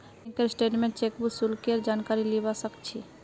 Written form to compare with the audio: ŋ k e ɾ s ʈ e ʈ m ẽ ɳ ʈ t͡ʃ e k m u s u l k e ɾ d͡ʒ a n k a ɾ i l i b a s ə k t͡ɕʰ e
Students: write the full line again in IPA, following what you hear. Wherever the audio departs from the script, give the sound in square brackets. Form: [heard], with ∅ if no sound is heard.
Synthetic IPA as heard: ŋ k e ɾ s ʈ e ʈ m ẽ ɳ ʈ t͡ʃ e k [b] u s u l k e ɾ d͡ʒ a n k a ɾ i l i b a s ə k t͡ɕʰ [i]